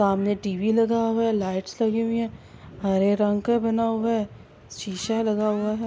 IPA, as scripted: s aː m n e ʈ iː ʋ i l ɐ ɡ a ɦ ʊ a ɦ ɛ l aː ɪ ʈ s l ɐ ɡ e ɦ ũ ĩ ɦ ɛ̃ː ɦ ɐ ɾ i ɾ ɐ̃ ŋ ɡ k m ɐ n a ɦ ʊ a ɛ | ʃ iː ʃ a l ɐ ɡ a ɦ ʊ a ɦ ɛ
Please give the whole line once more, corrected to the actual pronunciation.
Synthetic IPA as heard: s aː m n e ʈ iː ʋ i l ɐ ɡ a ɦ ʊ a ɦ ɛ l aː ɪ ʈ s l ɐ ɡ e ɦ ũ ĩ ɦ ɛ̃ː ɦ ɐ ɾ e ɾ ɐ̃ ŋ ɡ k b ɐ n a ɦ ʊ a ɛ | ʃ iː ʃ a l ɐ ɡ a ɦ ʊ a ɦ ɛ